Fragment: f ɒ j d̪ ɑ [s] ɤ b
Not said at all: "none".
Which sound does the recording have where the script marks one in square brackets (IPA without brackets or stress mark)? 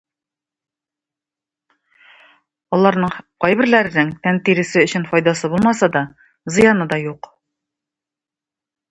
s